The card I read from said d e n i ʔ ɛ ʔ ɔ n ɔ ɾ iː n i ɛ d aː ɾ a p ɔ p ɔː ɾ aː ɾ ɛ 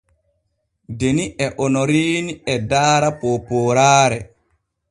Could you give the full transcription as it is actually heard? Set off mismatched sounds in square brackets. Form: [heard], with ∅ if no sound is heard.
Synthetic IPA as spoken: d e n i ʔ ɛ ʔ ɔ n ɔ ɾ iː n i ɛ d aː ɾ a p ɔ p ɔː ɾ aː ɾ ɛ